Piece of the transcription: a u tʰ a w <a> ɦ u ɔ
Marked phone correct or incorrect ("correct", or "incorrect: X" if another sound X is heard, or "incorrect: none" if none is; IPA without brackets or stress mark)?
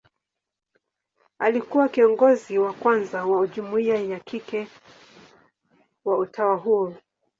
correct